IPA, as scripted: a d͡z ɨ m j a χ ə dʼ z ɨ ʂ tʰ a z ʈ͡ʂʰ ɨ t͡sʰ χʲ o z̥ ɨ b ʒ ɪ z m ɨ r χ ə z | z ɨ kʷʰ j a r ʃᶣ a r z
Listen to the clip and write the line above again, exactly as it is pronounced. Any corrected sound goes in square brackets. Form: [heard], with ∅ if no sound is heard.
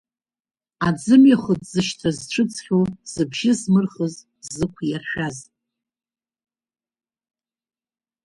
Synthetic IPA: a d͡z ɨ m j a χ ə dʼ z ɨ [ʃ] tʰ a z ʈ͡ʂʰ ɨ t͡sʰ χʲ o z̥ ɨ b ʒ ɪ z m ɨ r χ ə z | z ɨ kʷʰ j a r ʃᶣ a [∅] z